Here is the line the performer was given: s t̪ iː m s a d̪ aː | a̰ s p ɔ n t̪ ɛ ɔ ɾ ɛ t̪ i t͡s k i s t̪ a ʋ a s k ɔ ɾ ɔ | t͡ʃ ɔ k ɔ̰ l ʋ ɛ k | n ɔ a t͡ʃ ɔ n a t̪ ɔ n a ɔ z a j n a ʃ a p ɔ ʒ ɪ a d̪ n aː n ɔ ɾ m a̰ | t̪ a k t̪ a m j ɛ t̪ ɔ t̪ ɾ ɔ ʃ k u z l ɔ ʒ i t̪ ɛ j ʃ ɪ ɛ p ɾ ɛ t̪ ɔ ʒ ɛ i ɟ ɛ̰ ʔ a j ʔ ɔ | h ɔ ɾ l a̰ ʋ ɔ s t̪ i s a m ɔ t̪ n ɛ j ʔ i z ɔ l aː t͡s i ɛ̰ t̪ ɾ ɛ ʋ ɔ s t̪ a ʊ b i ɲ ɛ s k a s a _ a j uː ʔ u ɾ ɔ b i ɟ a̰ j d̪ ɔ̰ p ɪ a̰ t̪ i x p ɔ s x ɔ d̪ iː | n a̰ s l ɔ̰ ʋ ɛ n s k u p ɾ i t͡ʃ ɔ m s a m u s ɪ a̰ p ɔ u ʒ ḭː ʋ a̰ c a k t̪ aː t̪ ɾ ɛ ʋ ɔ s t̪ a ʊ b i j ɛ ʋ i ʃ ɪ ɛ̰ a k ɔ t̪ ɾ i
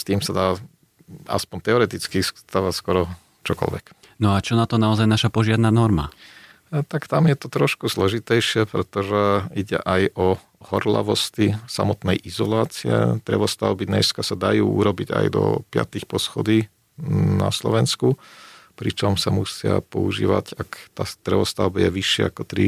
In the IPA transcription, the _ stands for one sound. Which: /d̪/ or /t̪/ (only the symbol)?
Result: d̪